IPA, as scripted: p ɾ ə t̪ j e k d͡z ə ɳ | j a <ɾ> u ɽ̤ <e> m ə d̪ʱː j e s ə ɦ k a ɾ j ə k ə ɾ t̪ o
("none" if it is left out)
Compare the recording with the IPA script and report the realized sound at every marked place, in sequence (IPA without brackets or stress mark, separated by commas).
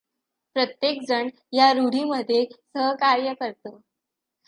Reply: ɾ, i